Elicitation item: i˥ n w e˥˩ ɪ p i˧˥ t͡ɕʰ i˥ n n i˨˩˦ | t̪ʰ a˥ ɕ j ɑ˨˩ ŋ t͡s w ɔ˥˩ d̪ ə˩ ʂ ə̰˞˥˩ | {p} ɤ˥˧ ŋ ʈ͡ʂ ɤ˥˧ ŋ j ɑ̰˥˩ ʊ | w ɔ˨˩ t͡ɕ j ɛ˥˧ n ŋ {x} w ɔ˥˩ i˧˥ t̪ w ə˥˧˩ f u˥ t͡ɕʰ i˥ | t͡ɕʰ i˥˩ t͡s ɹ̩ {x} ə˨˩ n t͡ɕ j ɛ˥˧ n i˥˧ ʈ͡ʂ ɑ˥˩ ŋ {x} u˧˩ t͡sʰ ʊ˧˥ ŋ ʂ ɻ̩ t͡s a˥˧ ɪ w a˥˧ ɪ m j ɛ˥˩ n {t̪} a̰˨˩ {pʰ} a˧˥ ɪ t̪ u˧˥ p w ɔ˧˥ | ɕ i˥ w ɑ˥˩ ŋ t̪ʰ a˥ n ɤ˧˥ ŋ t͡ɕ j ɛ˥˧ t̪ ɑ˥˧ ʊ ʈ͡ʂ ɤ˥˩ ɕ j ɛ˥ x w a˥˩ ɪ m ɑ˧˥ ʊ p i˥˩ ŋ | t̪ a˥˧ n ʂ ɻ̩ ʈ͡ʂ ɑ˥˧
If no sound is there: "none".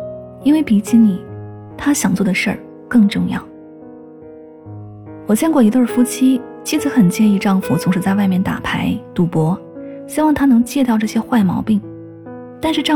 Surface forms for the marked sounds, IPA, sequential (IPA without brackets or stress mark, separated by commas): k, k, x, f, t̪, pʰ